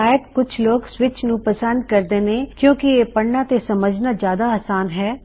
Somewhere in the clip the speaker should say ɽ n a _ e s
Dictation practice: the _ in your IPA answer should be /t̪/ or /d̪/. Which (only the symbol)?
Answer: t̪